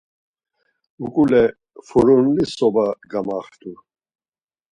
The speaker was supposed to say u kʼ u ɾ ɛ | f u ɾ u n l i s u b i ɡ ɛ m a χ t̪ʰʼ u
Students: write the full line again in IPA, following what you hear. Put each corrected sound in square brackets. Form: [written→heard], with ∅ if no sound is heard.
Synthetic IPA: u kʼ u [ɾ→l] ɛ | f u ɾ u n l i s [u→ɔ] b [i→a] ɡ [ɛ→a] m a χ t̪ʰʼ u